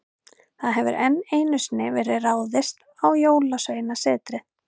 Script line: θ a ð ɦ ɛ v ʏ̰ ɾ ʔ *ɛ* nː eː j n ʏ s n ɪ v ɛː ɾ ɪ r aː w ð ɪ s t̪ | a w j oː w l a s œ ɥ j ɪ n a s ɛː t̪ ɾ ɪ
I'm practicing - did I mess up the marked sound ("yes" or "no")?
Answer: no